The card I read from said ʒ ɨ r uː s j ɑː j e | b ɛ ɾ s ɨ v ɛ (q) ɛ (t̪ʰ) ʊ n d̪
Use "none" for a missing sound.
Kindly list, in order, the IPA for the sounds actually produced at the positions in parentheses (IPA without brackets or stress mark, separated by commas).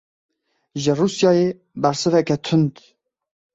k, t̪ʰ